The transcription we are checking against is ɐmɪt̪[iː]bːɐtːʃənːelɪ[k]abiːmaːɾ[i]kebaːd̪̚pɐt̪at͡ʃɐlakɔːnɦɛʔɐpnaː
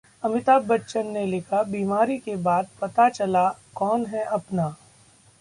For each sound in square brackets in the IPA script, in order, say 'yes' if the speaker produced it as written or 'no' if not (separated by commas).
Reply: no, no, yes